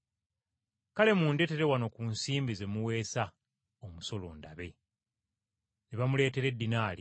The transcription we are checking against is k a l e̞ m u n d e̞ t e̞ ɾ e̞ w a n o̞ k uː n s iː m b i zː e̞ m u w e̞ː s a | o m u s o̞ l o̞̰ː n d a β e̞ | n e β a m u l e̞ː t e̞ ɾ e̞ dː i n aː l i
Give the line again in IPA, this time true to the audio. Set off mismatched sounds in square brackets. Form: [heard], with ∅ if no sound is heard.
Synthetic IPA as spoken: k a l e̞ m u n d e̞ t e̞ ɾ e̞ w a n o̞ k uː n s iː m b i [z] e̞ m u w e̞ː s a | o m u s o̞ l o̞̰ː n d a β e̞ | n e β a m u l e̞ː t e̞ ɾ e̞ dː i n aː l i